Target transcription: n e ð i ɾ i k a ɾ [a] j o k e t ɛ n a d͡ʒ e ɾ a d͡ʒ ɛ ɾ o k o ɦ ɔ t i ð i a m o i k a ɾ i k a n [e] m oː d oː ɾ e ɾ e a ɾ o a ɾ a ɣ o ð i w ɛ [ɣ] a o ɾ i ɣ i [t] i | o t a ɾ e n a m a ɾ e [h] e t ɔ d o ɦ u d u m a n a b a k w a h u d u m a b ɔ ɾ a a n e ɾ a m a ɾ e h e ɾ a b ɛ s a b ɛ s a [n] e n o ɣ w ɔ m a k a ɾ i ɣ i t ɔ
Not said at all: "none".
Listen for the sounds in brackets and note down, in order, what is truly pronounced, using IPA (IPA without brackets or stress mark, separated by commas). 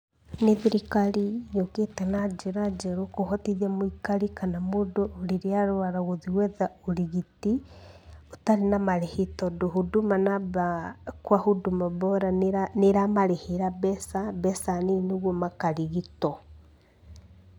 i, a, ð, t, h, n